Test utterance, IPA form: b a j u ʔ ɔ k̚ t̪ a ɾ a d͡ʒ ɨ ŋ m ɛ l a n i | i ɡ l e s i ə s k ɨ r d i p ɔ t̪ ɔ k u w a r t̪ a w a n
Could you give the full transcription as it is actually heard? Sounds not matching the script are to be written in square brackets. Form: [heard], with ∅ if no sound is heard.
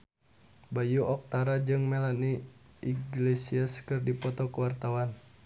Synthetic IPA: b a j u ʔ ɔ k̚ t̪ a ɾ a d͡ʒ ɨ ŋ m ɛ l a n i | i ɡ l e s i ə s k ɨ r d i p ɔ t̪ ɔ k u w a r t̪ a w a n